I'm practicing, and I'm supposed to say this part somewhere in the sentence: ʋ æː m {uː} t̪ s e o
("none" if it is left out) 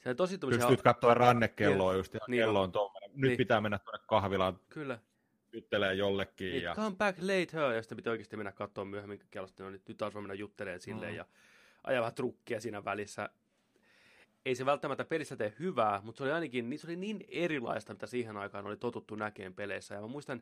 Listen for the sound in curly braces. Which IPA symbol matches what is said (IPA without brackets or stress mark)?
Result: u